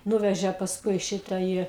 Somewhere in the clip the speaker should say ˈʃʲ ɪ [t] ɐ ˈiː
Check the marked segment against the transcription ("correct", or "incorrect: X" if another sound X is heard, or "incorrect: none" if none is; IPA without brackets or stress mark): correct